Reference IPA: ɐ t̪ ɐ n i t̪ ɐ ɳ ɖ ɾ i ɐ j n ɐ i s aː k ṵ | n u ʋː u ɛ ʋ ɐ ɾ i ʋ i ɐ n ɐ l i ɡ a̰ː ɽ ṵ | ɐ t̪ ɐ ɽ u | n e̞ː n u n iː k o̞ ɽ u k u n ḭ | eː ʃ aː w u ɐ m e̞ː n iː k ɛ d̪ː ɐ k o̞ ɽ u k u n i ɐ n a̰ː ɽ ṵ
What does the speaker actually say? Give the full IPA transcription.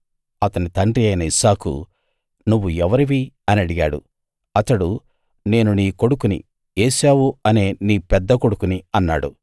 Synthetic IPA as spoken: ɐ t̪ ɐ n i t̪ ɐ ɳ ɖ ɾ i ɐ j n ɐ i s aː k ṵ | n u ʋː u ɛ ʋ ɐ ɾ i ʋ i ɐ n ɐ ɽ i ɡ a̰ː ɽ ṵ | ɐ t̪ ɐ ɽ u | n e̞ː n u n iː k o̞ ɽ u k u n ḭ | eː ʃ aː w u ɐ n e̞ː n iː p ɛ d̪ː ɐ k o̞ ɽ u k u n i ɐ nː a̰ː ɽ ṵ